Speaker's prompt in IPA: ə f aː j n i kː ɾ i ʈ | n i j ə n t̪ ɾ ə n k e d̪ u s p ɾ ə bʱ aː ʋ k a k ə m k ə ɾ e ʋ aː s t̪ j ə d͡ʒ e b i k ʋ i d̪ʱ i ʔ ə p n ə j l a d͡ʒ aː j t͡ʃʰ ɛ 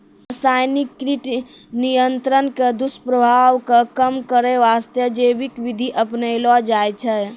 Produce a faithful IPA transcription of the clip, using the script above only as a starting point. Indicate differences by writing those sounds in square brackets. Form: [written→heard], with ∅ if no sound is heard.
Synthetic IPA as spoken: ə [f→s] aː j n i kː ɾ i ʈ | n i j ə n t̪ ɾ ə n k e d̪ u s p ɾ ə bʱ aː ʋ k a k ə m k ə ɾ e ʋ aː s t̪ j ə d͡ʒ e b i k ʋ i d̪ʱ i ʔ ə p n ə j l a d͡ʒ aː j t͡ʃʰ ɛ

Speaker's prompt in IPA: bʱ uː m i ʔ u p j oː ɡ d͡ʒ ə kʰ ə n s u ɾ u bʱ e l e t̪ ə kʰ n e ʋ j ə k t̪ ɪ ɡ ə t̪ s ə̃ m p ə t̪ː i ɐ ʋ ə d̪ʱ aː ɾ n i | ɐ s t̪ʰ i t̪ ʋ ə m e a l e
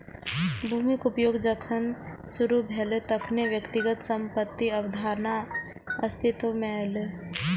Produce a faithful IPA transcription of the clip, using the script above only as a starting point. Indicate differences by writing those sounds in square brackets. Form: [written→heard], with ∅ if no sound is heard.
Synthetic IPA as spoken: bʱ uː m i [ʔ→k] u p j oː ɡ d͡ʒ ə kʰ ə n s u ɾ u bʱ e l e t̪ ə kʰ n e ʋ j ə k t̪ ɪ ɡ ə t̪ s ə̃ m p ə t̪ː i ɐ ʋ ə d̪ʱ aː ɾ n [i→a] | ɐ s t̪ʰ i t̪ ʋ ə m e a l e

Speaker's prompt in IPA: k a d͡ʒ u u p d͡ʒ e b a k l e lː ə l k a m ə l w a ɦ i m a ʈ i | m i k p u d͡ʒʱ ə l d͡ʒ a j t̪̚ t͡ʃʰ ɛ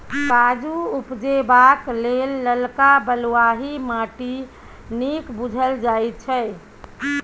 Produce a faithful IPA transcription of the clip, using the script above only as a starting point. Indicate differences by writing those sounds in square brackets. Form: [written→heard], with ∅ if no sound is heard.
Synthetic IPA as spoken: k a d͡ʒ u u p d͡ʒ e b a k l e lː ə l k a [m→b] ə l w a ɦ i m a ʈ i | [m→n] i k [p→b] u d͡ʒʱ ə l d͡ʒ a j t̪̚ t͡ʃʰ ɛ

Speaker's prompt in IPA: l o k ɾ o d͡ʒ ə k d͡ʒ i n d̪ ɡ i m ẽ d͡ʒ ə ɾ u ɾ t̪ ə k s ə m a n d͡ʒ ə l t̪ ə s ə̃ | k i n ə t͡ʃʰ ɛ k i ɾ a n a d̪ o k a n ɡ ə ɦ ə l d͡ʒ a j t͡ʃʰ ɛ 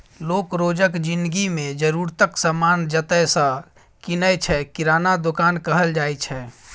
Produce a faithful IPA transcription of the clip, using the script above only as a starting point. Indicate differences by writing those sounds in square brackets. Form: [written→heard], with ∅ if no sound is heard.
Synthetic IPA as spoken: l o k ɾ o d͡ʒ ə k d͡ʒ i n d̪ ɡ i m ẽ d͡ʒ ə ɾ u ɾ t̪ ə k s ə m a n d͡ʒ ə [l→∅] t̪ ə s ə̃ | k i n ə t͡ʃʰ ɛ k i ɾ a n a d̪ o k a n [ɡ→k] ə ɦ ə l d͡ʒ a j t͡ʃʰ ɛ

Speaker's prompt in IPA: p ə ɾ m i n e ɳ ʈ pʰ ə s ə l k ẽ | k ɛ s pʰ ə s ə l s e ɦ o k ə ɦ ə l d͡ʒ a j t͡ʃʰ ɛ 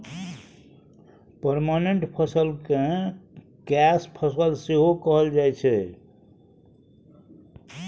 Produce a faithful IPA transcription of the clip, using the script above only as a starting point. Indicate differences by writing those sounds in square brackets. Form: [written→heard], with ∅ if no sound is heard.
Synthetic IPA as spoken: p ə ɾ m [i→a] n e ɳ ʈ pʰ ə s ə l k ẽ | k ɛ s pʰ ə s ə l s e ɦ o k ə ɦ ə l d͡ʒ a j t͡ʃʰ ɛ

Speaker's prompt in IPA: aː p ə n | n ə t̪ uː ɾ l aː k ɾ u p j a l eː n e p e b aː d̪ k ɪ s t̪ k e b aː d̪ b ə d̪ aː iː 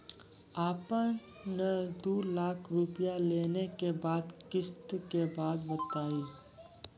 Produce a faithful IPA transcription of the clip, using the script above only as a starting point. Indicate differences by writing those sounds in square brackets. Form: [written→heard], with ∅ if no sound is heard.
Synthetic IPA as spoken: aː p ə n | n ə [t̪→d̪] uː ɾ l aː [k→kʰ] ɾ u p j a l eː n e [p→k] e b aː d̪ k ɪ s t̪ k e b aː d̪ b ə [d̪→t̪] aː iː

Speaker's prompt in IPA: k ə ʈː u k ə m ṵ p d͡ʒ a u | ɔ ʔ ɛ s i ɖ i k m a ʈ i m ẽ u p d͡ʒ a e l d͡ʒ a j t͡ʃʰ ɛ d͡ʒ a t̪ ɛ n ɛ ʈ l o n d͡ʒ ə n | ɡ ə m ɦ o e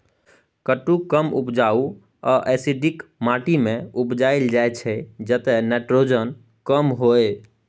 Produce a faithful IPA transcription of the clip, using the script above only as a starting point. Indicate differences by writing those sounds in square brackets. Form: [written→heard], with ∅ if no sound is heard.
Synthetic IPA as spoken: k ə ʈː u k ə m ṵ p d͡ʒ a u | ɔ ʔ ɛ s i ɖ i k m a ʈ i m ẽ u p d͡ʒ a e l d͡ʒ a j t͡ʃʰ ɛ d͡ʒ [a→ə] t̪ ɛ n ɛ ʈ [l→ɾ] o [n→∅] d͡ʒ ə n | [ɡ→k] ə m ɦ o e

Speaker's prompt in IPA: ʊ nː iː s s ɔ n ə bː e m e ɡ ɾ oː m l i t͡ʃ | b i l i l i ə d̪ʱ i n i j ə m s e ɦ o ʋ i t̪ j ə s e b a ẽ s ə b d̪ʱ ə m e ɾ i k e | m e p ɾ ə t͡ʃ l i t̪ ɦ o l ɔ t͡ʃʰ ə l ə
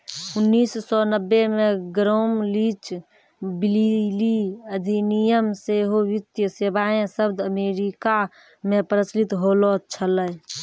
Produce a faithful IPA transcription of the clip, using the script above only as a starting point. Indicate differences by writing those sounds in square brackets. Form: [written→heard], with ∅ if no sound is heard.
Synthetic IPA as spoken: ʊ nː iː s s ɔ n ə bː e m e ɡ ɾ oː m l i t͡ʃ | b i l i l i ə d̪ʱ i n i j ə m s e ɦ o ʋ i t̪ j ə s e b a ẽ s ə b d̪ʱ ə m e ɾ i k [e→a] | m e p ɾ ə t͡ʃ l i t̪ ɦ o l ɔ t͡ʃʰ ə l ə

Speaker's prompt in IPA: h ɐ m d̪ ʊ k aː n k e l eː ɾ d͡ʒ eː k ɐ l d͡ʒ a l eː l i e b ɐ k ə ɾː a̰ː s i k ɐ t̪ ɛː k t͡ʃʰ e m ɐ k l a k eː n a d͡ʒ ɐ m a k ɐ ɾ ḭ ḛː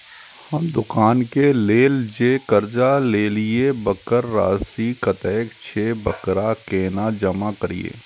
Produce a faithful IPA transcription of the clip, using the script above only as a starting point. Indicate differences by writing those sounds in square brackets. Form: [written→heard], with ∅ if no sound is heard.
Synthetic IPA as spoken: h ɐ m d̪ ʊ k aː n k e l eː [ɾ→l] d͡ʒ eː k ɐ [l→ɾ] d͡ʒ a l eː l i e b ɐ k ə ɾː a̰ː s i k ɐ t̪ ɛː k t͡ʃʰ e [m→b] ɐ k [l→ɾ] a k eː n a d͡ʒ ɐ m a k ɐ ɾ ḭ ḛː

